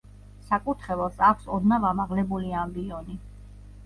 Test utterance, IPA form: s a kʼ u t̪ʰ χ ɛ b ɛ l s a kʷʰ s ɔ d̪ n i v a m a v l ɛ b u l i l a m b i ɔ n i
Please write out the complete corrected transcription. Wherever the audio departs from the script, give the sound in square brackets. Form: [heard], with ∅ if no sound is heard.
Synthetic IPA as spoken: s a kʼ u t̪ʰ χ ɛ [v] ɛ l s a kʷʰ s ɔ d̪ n [a] v a m a [ʁ] l ɛ b u l i [∅] a m b i ɔ n i